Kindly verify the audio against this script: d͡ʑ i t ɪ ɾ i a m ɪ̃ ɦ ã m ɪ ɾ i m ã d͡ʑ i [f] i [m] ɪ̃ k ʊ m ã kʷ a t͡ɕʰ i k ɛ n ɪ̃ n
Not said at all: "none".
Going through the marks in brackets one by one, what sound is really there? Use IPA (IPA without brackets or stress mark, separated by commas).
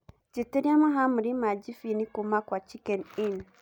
f, n